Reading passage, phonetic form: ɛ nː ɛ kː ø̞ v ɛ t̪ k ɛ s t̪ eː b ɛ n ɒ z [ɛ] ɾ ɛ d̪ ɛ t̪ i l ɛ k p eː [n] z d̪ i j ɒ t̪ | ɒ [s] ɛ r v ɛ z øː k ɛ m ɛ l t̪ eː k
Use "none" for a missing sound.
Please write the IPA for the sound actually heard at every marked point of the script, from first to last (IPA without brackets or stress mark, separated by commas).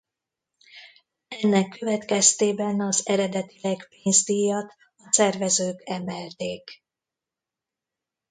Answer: ɛ, n, s